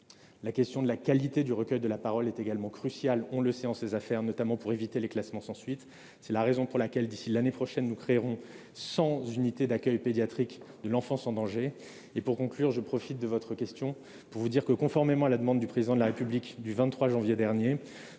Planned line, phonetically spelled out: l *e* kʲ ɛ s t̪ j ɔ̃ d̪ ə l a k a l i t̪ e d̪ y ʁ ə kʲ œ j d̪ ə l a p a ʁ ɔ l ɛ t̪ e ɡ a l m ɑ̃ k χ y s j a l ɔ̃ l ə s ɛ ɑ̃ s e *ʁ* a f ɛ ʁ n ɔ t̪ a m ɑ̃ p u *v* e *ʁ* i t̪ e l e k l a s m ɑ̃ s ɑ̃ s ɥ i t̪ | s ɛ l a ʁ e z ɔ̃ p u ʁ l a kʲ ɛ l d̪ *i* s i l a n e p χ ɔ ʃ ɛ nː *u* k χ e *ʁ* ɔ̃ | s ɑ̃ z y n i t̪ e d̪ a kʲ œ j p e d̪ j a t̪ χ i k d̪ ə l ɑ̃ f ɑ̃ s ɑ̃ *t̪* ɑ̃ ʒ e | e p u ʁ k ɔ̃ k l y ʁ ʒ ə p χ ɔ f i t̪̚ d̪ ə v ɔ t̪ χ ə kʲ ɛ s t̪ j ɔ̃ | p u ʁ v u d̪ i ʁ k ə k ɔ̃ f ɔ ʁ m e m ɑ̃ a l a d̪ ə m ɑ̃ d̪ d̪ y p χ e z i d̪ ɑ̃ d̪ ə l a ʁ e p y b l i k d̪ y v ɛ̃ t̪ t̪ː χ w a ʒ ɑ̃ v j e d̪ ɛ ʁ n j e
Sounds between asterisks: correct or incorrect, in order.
incorrect: a, incorrect: z, incorrect: ʁ, incorrect: v, correct, correct, correct, incorrect: d̪

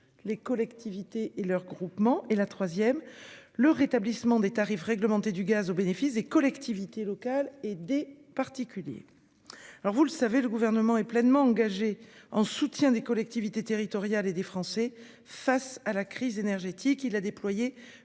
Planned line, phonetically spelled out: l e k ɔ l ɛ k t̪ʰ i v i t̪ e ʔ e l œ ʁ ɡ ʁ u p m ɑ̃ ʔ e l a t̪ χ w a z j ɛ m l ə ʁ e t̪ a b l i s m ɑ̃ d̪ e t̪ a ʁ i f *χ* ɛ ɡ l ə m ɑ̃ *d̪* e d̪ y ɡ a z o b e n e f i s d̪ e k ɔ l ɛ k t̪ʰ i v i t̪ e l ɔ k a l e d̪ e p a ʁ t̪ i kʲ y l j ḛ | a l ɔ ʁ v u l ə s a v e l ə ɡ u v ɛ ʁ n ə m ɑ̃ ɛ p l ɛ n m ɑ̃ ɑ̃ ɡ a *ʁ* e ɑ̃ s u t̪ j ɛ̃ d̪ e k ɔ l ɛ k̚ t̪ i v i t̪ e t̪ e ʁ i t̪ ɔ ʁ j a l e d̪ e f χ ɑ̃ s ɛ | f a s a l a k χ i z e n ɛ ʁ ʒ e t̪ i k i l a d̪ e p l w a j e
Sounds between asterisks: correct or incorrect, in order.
incorrect: ʁ, incorrect: t̪, incorrect: ʒ

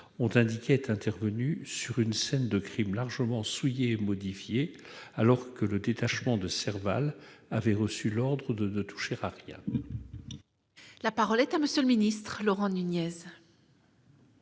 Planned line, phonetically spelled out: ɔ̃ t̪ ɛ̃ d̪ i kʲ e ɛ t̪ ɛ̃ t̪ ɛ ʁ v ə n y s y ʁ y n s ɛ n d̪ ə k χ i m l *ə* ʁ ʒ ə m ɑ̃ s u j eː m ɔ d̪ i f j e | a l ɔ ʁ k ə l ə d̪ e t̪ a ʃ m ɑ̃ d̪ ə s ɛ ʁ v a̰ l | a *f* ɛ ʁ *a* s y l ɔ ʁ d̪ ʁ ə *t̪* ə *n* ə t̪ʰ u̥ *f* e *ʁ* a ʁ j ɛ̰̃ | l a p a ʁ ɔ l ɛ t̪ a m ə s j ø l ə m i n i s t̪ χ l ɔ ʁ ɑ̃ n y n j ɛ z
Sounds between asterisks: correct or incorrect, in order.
incorrect: a, incorrect: v, incorrect: ə, incorrect: d̪, correct, incorrect: ʃ, correct

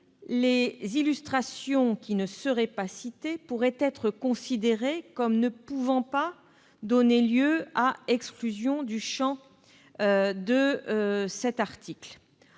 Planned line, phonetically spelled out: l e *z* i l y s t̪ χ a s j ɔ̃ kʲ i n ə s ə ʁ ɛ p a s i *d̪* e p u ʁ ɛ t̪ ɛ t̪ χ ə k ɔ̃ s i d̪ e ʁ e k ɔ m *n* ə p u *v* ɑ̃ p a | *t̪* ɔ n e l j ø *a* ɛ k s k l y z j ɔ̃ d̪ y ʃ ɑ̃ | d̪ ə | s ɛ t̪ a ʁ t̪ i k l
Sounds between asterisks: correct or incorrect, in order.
correct, incorrect: t̪, correct, correct, incorrect: d̪, correct

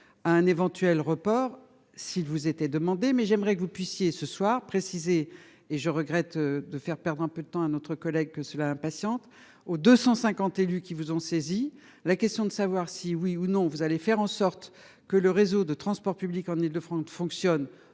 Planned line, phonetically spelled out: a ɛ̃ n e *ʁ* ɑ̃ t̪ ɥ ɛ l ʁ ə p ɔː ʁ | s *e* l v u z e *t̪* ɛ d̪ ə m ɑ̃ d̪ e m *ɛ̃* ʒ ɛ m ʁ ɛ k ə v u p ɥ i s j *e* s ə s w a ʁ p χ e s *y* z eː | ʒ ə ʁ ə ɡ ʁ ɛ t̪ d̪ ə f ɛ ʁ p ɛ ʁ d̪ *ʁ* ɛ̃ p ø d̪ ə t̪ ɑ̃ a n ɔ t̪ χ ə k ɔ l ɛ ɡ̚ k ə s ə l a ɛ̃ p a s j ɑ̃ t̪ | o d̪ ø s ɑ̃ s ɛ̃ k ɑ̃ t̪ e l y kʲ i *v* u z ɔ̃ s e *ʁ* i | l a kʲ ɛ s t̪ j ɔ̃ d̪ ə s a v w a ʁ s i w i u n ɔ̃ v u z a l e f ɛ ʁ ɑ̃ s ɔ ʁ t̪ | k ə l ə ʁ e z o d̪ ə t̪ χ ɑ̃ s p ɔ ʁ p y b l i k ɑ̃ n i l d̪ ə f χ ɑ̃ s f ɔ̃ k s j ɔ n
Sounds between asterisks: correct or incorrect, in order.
incorrect: v, incorrect: i, correct, incorrect: ɛ, correct, incorrect: i, correct, correct, incorrect: z

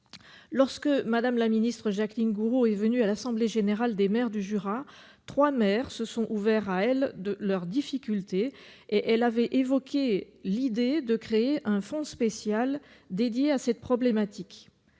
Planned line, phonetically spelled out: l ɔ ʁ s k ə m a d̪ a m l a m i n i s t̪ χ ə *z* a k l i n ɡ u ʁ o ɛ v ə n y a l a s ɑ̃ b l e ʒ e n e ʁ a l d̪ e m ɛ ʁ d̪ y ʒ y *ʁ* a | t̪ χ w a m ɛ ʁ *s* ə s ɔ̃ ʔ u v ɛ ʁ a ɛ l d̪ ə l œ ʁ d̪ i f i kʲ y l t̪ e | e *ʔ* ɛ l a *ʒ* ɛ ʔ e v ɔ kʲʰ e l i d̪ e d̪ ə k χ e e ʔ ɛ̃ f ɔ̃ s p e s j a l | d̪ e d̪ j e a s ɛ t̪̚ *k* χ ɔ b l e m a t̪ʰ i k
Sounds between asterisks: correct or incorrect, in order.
incorrect: ʒ, correct, correct, correct, incorrect: v, incorrect: p

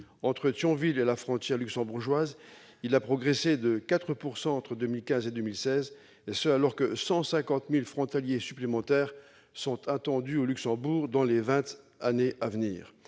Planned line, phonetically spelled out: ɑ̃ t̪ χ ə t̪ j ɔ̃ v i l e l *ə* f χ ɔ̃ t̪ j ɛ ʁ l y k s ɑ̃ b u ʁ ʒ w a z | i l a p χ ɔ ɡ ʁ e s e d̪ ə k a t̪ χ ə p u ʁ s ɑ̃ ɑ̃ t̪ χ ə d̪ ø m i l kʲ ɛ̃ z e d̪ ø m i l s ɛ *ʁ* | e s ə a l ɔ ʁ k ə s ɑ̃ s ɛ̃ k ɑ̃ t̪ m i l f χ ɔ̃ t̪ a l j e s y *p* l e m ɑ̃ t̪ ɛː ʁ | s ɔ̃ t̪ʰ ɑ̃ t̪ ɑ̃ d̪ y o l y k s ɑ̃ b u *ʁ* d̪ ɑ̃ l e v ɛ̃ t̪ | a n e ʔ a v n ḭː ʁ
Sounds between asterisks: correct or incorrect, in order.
incorrect: a, incorrect: z, correct, correct

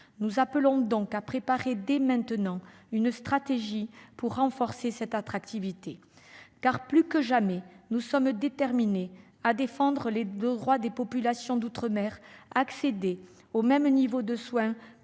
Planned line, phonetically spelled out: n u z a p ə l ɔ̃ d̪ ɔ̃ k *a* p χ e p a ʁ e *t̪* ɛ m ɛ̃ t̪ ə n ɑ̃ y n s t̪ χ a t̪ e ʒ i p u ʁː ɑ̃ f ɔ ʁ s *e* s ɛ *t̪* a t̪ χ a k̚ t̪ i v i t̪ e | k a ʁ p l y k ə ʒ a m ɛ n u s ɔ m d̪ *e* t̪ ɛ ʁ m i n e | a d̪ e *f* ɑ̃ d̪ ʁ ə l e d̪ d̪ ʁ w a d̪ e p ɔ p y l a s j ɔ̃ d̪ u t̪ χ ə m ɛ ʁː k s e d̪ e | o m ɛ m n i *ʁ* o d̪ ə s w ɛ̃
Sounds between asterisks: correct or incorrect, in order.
correct, incorrect: d̪, correct, correct, correct, correct, incorrect: v

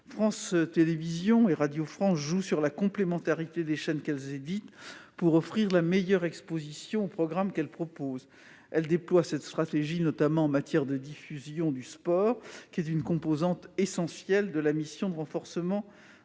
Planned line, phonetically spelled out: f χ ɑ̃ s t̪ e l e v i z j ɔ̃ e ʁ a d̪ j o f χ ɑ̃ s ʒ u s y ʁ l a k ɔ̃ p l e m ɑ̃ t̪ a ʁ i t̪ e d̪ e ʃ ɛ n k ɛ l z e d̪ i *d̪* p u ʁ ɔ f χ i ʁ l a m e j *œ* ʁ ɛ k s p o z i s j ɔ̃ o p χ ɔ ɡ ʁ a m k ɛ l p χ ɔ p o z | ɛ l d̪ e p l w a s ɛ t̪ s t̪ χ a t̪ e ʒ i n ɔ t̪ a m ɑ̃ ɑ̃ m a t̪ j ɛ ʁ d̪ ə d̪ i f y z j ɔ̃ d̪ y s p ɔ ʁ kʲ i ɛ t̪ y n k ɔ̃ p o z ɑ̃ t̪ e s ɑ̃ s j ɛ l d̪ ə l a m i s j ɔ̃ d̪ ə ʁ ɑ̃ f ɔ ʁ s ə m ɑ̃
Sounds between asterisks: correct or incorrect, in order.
incorrect: t̪, correct

